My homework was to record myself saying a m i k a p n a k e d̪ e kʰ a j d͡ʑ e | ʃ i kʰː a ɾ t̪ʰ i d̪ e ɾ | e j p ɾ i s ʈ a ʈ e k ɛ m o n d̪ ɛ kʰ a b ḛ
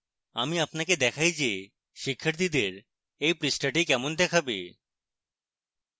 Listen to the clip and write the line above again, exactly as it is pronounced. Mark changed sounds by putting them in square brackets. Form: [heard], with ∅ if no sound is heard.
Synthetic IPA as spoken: a m i [∅] a p n a k e d̪ [ɛ] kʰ a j d͡ʑ e | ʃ i kʰː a ɾ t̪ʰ i d̪ e ɾ | e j p ɾ i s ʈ a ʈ [i] k ɛ m o n d̪ ɛ kʰ a b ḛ